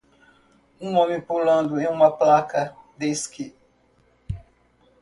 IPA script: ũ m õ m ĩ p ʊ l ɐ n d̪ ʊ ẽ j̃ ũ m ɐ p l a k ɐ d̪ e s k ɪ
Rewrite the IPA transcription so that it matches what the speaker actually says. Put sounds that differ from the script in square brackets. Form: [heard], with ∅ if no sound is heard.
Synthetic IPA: ũ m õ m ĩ p [u] l [ɐ̃] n d̪ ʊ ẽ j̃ ũ m ɐ p l a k ɐ d̪ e s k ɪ